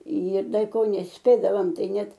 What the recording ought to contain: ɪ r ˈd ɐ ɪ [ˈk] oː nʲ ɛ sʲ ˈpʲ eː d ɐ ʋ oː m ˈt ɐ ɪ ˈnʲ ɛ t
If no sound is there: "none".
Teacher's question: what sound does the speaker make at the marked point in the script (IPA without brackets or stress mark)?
k